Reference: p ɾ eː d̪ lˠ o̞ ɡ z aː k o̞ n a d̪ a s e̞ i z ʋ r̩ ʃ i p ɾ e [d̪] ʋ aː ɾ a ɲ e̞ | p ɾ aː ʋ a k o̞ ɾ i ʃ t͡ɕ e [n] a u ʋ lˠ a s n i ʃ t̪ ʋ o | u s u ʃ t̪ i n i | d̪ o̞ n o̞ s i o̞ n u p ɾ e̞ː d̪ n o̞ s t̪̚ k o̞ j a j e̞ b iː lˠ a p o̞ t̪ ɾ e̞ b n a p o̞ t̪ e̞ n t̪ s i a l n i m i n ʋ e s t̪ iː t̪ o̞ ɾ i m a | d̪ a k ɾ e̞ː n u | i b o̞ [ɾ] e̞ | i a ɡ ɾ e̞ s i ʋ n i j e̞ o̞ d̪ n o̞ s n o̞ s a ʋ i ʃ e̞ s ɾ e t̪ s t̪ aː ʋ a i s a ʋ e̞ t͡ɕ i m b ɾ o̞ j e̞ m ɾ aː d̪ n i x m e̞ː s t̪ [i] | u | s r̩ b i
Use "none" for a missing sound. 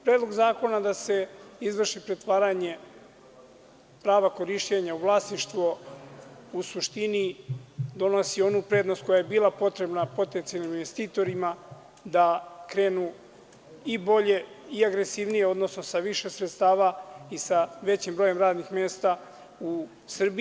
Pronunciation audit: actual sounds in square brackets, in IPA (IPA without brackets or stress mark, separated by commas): t̪, ɲ, ʎ, a